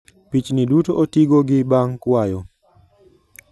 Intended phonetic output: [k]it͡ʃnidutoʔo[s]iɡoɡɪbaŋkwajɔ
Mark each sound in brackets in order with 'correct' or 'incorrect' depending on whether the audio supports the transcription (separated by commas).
incorrect, incorrect